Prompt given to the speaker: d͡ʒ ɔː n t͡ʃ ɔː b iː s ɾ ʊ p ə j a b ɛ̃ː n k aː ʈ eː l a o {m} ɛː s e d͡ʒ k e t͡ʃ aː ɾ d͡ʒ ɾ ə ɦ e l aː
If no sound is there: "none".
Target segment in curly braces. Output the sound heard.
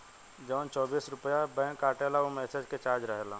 m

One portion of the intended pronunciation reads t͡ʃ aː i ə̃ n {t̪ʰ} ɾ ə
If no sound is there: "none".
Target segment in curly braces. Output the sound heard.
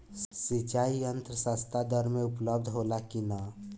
t̪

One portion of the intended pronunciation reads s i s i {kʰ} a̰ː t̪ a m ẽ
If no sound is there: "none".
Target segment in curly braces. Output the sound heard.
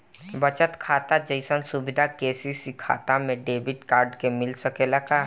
kʰ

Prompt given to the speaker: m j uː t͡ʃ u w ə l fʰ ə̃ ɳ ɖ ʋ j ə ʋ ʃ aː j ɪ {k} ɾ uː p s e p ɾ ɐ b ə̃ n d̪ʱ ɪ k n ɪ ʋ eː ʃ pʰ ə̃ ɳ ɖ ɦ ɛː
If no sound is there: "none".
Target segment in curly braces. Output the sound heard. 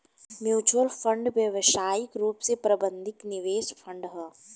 k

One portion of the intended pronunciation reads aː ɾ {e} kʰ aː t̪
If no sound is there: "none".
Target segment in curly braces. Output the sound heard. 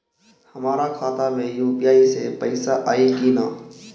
a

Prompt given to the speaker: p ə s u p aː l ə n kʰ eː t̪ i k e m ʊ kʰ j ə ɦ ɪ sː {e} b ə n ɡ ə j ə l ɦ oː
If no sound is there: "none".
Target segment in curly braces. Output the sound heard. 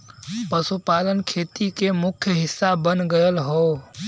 a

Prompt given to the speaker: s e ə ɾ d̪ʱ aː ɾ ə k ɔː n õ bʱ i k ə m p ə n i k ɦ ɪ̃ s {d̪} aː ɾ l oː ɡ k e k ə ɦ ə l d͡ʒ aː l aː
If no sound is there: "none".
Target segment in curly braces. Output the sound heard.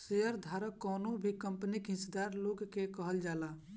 d̪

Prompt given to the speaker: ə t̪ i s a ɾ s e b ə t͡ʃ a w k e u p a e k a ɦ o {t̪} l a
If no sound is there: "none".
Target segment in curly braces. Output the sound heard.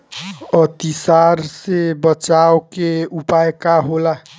none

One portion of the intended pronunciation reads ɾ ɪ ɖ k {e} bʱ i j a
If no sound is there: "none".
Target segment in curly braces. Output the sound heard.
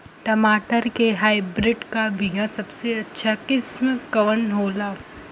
a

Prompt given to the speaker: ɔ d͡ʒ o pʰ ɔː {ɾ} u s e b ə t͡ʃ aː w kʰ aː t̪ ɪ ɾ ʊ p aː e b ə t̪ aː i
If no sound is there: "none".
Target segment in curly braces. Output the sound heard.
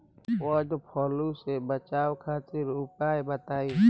l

